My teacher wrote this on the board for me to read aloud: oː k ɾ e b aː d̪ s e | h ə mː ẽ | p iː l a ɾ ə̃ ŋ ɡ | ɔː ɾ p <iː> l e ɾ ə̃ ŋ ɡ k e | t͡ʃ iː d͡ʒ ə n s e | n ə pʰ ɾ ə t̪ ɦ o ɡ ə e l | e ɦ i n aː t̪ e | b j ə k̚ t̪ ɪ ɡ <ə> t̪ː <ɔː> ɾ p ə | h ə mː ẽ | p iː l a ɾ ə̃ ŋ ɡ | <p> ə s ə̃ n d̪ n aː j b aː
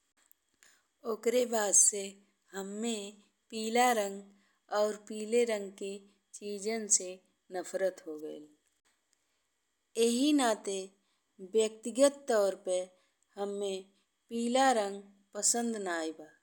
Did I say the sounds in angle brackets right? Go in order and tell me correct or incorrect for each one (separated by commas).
correct, correct, correct, correct